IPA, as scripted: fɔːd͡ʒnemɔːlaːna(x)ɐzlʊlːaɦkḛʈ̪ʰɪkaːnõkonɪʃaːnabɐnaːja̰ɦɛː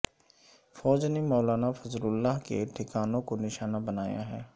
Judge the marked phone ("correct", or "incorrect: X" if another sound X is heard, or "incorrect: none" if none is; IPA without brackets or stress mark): incorrect: f